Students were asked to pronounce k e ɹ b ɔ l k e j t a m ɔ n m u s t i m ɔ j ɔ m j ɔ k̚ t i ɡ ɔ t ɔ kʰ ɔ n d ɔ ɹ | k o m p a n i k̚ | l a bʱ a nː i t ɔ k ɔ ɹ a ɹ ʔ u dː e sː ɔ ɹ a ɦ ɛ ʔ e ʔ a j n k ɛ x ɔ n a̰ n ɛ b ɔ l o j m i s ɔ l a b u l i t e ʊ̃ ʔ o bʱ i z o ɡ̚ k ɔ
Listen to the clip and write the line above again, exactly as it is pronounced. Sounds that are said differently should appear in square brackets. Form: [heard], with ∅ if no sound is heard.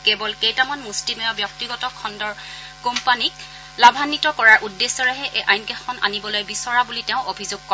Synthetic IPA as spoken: k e [∅] b ɔ l k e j t a m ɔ n m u s t i m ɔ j ɔ [b] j ɔ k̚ t i ɡ ɔ t ɔ kʰ ɔ n d ɔ ɹ | k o m p a n i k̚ | l a bʱ a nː i t ɔ k ɔ ɹ a ɹ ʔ u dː e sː ɔ ɹ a ɦ ɛ ʔ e ʔ a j n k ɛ x ɔ n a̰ n [i] b ɔ l o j [b] i s ɔ [ɹ] a b u l i t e ʊ̃ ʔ o bʱ i z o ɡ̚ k ɔ